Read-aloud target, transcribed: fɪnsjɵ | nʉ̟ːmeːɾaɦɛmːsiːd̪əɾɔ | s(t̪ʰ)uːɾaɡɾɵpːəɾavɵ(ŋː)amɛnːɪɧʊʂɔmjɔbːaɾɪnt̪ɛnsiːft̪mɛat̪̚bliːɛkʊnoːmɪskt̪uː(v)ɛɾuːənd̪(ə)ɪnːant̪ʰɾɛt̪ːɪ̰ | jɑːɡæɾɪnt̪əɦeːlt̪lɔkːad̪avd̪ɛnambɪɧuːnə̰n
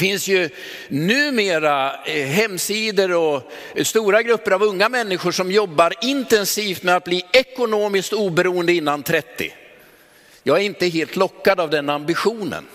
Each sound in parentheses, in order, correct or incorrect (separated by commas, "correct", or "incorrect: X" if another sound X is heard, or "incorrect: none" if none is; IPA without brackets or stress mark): incorrect: t̪, correct, incorrect: b, correct